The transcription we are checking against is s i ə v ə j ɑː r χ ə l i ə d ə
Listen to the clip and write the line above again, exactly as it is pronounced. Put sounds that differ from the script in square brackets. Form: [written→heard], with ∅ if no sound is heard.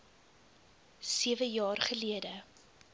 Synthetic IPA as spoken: s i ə v ə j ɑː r χ ə l i ə d ə